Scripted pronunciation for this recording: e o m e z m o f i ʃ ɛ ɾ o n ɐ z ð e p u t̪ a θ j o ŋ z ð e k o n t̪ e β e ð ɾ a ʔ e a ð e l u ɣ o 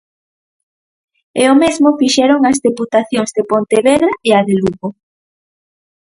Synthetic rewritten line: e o m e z m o f i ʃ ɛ ɾ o ŋ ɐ z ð e p u t̪ a θ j o ŋ z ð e p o n t̪ e β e ð ɾ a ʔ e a ð e l u ɣ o